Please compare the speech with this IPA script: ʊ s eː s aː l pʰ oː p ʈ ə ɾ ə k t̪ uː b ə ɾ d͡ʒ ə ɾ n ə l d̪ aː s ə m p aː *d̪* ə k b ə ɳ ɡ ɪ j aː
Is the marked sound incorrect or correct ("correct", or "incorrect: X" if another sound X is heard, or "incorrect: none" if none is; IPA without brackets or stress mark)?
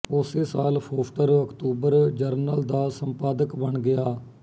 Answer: correct